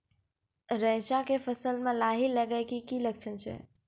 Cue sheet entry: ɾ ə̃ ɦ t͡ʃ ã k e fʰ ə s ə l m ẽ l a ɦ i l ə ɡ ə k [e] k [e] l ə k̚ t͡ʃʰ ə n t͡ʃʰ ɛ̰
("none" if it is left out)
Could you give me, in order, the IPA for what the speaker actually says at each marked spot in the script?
i, i

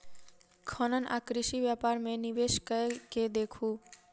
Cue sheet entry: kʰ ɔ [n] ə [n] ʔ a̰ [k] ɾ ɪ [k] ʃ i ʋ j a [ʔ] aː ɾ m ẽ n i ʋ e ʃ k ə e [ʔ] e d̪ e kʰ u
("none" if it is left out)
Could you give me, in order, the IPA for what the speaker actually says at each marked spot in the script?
n, n, k, none, p, k

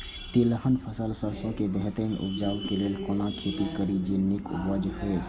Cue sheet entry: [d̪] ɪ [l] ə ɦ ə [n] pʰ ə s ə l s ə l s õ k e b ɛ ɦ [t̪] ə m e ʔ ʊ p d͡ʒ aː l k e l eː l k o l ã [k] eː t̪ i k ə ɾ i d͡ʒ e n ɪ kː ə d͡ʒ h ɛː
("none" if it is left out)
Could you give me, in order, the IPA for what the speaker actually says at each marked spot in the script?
t̪, l, n, t̪, kʰ

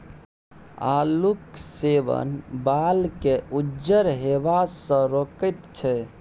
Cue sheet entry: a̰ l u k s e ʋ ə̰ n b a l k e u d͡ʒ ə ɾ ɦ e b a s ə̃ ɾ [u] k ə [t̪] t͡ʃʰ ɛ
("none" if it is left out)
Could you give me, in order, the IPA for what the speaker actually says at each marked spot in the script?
o, t̪

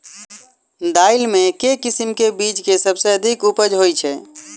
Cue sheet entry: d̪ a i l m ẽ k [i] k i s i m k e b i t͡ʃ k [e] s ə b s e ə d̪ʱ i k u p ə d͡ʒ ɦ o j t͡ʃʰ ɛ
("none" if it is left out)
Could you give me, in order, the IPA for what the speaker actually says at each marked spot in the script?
e, e

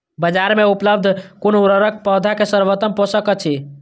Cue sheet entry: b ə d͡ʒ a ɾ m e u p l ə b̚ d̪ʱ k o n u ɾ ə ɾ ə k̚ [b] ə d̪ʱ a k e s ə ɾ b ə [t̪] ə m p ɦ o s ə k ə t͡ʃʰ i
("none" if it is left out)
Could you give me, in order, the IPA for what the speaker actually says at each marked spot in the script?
p, t̪

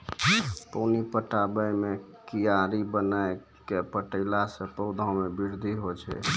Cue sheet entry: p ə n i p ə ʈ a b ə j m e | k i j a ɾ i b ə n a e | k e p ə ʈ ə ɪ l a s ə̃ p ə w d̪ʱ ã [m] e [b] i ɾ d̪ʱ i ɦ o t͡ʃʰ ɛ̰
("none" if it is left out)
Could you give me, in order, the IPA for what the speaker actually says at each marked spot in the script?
m, b

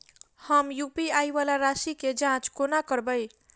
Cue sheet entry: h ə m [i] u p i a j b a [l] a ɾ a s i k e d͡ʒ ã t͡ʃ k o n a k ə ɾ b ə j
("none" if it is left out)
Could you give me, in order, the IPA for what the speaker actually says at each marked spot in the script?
j, l

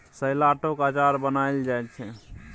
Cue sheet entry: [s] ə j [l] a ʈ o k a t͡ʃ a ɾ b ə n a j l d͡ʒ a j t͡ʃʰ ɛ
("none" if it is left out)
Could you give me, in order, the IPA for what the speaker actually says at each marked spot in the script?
s, l

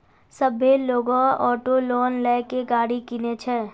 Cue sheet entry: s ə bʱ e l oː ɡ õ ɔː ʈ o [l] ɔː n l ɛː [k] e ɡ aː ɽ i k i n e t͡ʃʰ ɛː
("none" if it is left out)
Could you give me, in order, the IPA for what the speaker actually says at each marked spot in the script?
l, k

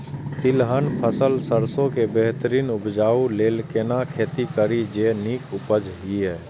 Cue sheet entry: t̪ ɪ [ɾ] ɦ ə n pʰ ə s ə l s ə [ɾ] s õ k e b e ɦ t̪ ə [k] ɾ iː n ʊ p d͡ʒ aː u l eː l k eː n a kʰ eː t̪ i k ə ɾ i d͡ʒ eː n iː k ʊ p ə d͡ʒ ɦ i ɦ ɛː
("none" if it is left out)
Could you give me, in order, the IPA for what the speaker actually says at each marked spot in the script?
l, ɾ, none

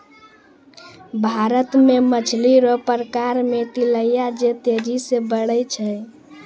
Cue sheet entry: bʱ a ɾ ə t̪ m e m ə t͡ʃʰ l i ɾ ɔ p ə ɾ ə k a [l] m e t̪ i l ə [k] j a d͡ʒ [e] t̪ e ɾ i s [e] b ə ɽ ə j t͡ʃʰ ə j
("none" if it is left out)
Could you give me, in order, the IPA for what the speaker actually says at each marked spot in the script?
ɾ, none, e, e

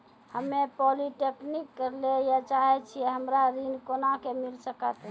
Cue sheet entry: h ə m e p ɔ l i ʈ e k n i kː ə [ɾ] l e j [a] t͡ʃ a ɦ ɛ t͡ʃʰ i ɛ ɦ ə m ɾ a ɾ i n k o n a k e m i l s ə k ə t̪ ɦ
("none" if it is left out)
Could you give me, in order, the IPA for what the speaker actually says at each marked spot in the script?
ɾ, a

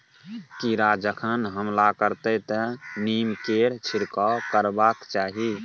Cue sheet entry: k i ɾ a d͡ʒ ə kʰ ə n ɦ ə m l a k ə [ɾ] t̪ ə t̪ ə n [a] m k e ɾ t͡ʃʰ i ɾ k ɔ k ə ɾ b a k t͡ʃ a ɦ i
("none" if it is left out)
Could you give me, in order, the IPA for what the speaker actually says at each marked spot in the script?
ɾ, i

